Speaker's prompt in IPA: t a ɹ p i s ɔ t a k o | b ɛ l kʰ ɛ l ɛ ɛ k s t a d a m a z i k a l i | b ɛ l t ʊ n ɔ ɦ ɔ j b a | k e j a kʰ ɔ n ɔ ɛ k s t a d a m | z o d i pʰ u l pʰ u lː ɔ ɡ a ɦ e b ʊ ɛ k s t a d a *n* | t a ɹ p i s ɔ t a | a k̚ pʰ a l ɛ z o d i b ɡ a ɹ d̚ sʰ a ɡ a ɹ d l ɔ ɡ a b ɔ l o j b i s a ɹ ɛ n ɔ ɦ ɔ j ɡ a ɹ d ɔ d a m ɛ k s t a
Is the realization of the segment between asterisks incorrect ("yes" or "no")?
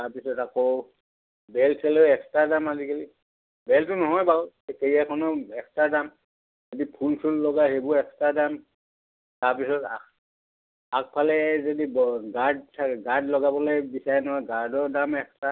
yes